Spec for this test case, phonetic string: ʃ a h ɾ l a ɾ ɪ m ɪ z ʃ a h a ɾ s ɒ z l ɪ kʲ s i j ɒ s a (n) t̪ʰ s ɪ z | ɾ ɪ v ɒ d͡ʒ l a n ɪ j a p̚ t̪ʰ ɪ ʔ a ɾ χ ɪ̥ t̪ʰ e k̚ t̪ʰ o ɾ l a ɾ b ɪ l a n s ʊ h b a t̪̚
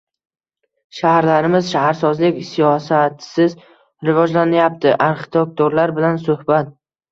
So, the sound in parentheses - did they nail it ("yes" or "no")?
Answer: no